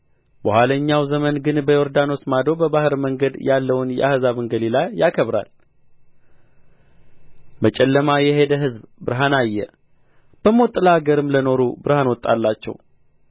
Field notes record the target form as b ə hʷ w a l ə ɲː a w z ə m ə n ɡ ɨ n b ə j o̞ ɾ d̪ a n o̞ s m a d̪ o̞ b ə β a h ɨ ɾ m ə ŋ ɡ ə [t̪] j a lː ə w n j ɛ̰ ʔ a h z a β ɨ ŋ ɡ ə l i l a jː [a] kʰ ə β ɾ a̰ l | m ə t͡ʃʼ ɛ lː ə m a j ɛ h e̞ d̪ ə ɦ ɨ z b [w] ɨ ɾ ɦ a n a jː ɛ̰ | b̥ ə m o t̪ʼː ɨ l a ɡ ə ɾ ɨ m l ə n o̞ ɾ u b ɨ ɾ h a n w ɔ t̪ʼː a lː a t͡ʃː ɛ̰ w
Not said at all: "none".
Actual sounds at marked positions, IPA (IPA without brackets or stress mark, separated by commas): d̪, a, b